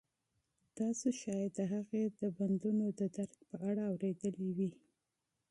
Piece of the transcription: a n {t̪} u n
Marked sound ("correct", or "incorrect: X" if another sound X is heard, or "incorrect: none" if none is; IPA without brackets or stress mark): incorrect: d̪